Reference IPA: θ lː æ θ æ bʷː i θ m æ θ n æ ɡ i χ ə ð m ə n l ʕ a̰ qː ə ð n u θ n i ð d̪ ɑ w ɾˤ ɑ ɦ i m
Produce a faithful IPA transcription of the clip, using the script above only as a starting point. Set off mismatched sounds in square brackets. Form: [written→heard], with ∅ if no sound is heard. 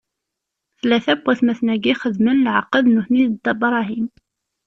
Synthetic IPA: θ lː æ θ æ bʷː [i→æ] θ m æ θ n æ ɡ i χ ə ð m ə n l ʕ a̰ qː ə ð n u θ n i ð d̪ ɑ [w→b] ɾˤ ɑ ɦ i m

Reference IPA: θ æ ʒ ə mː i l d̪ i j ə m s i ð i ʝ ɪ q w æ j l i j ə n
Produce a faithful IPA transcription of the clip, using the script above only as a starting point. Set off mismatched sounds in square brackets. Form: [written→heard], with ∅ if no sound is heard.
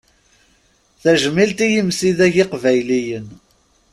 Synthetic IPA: θ æ ʒ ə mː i l [d̪→t̪] i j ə m s i ð [i→æ] ʝ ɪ q [w→v] æ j l i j ə n

